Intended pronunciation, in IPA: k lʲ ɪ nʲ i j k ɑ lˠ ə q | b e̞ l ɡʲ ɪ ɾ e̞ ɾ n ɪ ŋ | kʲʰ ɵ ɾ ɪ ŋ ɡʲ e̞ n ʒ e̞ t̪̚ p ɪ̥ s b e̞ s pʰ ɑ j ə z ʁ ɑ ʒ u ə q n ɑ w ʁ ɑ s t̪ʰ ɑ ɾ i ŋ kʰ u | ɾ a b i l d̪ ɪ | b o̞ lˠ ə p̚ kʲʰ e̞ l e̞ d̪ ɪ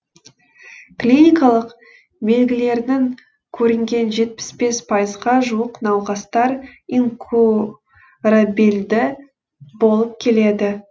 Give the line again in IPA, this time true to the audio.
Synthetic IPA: k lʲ i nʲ i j k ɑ lˠ ə q | b e̞ l ɡʲ ɪ l e̞ ɾ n ɪ ŋ | kʲʰ ɵ ɾ ɪ ŋ ɡʲ e̞ n ʒ e̞ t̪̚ p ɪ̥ s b e̞ s pʰ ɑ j ə z ʁ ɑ ʒ u ə q n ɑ w ʁ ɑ s t̪ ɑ ɾ i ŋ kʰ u | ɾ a b i l d̪ ɪ | b o̞ lˠ ə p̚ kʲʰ e̞ l e̞ d̪ ɪ

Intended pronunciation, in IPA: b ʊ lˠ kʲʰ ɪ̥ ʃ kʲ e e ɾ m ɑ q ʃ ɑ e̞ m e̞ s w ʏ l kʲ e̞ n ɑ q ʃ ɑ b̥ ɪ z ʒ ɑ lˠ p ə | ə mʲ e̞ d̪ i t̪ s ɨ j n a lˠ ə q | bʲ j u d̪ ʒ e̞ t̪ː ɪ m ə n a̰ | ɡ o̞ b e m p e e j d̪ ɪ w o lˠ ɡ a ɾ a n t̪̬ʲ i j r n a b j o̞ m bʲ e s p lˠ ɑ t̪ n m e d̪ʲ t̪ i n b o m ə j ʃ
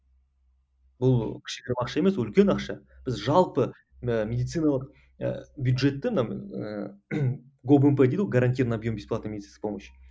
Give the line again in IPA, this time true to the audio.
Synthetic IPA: b ʊ lˠ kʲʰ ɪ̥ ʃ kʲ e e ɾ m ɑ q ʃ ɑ e̞ m e̞ s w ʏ l kʲ e̞ n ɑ q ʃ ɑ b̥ ɪ z ʒ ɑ lˠ p ə | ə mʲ e̞ d̪ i t̪ s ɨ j n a lˠ ə q | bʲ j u d̪ ʒ e̞ t̪ː ɪ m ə n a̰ | ɡ o̞ b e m p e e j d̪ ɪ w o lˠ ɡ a ɾ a n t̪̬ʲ i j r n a b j o̞ m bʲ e s p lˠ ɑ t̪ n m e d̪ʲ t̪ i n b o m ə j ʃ

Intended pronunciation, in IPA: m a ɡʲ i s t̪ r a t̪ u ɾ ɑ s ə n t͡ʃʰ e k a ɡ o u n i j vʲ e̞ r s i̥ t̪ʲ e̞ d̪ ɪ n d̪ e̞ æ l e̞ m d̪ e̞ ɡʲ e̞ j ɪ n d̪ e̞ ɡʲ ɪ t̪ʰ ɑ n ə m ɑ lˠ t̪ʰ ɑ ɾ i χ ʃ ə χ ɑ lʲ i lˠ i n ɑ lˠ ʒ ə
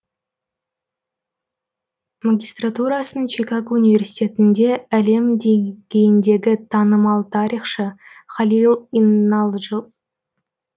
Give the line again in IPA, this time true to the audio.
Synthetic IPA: m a ɡʲ i s t̪ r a t̪ u ɾ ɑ s ə n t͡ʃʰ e k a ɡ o u n i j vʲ e̞ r s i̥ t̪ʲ e̞ t̪ ɪ n d̪ e̞ æ l e̞ m d̪ e̞ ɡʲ e̞ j ɪ n d̪ e̞ ɡʲ ɪ t̪ʰ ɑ n ə m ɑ lˠ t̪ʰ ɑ ɾ i χ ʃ ə χ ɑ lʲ i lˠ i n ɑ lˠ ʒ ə

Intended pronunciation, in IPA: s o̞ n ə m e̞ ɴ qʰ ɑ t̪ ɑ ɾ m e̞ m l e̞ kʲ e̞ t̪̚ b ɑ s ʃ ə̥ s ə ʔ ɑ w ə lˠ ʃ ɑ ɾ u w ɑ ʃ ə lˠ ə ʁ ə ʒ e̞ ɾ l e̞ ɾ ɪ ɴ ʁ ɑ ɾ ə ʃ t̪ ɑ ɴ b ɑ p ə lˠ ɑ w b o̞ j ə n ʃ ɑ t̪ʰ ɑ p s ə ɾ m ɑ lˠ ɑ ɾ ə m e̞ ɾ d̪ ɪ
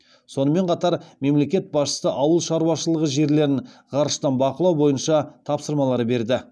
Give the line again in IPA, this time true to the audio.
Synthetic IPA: s o̞ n ə m e̞ ɴ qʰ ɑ t̪ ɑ ɾ m e̞ m l e̞ kʲ e̞ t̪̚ b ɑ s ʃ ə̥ s ə ʔ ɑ w ə lˠ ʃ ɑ ɾ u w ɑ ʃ ə lˠ ə ʁ ə ʒ e̞ ɾ l e̞ ɾ ɪ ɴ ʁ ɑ ɾ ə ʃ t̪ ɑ n b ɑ q ə lˠ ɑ w b o̞ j ə n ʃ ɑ t̪ʰ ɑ p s ə ɾ m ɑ lˠ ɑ ɾ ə b e̞ ɾ d̪ ɪ

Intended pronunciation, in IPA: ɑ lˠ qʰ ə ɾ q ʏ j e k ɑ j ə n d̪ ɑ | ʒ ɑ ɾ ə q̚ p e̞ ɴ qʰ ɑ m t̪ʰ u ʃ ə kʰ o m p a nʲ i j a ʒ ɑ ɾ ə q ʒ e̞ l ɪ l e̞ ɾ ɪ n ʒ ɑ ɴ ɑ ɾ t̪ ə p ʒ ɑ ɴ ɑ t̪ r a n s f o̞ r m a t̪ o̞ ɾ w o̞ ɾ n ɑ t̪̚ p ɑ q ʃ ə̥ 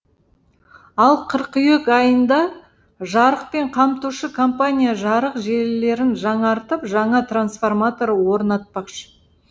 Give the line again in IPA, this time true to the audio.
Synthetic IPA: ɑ lˠ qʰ ə ɾ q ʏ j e k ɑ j ə n d̪ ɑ | ʒ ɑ ɾ ə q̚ p e̞ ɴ qʰ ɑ m t̪ u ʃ ə kʰ o m p a nʲ i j a ʒ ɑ ɾ ə q ʒ e̞ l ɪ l e̞ ɾ ɪ n ʒ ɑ ɴ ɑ ɾ t̪ ə p ʒ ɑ ɴ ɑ t̪ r a n s f o̞ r m a t̪ o̞ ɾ w o̞ ɾ n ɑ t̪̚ p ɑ q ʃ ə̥

